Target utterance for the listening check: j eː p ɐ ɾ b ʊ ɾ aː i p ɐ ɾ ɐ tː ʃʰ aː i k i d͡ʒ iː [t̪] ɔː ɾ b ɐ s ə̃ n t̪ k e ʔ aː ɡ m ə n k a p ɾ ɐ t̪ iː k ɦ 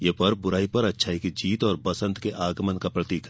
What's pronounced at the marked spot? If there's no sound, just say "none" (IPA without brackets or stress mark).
t̪